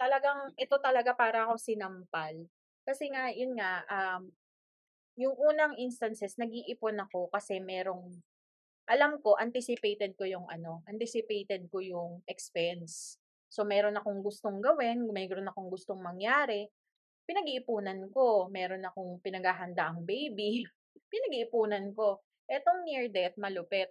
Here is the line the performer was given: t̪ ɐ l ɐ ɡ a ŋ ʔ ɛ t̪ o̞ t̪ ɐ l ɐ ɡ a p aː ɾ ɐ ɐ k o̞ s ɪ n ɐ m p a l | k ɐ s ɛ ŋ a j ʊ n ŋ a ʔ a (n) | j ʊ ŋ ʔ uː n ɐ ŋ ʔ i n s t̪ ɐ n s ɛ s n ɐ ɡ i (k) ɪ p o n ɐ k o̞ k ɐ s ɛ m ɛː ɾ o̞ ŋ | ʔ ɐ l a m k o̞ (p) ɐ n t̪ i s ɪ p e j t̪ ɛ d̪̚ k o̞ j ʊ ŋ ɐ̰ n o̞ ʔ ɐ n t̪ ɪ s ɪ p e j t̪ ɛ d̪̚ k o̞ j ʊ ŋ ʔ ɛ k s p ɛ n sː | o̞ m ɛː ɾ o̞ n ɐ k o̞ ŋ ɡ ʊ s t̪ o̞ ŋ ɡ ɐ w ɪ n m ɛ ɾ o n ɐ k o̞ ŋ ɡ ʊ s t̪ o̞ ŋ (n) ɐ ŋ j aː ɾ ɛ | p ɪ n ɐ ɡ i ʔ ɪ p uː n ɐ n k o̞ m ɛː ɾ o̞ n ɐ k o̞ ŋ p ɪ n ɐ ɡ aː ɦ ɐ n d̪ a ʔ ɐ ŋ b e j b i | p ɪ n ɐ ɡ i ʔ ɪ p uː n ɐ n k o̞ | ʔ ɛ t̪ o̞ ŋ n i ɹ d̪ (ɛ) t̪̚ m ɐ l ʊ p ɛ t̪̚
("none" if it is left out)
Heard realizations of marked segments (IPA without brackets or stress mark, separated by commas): m, ʔ, ʔ, m, ɛ